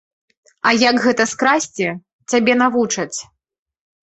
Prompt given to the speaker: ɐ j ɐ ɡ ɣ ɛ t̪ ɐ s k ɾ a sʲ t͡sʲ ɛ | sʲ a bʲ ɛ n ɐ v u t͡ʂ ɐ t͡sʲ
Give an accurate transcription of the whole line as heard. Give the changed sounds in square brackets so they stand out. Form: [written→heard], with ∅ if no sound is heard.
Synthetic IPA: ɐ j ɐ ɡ ɣ ɛ t̪ ɐ s k ɾ a sʲ t͡sʲ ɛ | [sʲ→t͡sʲ] a bʲ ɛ n [ɐ→a] v u t͡ʂ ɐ t͡sʲ